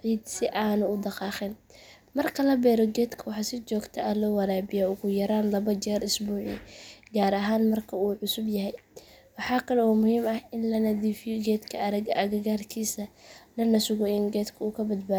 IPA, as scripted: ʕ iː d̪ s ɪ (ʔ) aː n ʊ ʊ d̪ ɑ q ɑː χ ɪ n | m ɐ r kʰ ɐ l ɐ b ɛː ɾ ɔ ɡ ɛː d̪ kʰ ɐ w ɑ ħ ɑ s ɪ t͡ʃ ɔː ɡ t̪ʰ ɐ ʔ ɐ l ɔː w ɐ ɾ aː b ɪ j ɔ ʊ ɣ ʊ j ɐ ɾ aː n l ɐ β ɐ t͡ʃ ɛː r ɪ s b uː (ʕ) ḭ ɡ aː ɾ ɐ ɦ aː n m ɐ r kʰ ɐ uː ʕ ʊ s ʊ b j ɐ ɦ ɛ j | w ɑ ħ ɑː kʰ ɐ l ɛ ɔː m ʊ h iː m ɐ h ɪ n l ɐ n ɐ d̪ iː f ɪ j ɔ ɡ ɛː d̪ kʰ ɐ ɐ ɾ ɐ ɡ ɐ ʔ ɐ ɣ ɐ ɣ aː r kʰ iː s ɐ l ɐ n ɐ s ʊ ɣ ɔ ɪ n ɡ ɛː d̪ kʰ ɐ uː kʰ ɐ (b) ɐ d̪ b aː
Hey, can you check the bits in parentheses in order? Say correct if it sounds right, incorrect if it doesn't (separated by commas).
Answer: correct, correct, correct